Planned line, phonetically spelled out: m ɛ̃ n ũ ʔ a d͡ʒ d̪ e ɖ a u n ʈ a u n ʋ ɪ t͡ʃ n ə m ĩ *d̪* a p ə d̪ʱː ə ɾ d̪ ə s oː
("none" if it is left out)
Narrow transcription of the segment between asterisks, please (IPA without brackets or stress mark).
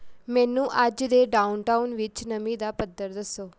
d̪